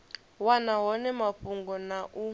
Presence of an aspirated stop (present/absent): absent